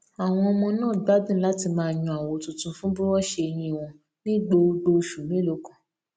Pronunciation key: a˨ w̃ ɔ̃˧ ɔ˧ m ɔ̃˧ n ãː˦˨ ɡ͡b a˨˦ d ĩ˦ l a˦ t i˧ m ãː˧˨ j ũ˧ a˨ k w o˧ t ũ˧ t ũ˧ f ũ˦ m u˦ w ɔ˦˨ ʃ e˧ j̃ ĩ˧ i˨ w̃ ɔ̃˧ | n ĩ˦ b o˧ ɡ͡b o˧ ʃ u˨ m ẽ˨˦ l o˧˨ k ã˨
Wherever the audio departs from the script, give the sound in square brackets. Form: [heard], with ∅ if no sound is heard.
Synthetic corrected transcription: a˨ w̃ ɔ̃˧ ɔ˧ m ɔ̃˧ n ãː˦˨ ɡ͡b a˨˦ d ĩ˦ l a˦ t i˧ m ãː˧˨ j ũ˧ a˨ [∅] w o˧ t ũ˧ t ũ˧ f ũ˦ [b] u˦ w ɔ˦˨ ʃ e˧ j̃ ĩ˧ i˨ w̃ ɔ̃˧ | n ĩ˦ [ɡ͡b] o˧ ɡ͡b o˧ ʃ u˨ m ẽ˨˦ l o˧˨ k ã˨